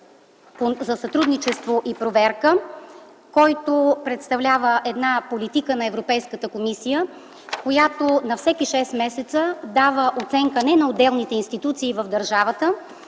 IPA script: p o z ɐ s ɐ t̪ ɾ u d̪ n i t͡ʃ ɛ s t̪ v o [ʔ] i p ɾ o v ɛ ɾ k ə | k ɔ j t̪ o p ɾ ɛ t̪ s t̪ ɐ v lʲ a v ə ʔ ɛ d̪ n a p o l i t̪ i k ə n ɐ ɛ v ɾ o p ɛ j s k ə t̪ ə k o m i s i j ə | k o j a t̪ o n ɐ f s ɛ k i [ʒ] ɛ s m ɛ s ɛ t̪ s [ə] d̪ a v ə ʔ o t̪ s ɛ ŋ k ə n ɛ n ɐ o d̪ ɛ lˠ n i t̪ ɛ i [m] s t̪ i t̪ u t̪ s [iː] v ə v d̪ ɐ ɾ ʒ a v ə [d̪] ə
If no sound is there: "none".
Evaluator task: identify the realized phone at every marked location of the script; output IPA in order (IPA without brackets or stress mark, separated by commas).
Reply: ʔ, ʃ, ə, n, iː, t̪